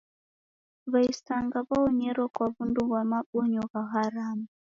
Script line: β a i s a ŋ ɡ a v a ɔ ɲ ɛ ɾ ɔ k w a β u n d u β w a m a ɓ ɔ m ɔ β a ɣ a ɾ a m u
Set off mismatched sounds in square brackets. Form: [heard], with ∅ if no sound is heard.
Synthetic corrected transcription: β a i s a ŋ ɡ a [β] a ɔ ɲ ɛ ɾ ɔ k w a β u n d u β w a m a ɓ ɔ [ɲ] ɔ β a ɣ a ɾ a m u